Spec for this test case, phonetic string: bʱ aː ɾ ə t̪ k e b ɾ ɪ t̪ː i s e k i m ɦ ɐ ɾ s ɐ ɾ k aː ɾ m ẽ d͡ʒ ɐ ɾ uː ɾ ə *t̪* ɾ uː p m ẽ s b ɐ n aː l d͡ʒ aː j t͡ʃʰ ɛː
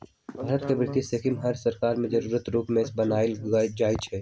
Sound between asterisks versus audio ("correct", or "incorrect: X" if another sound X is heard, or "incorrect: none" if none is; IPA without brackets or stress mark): correct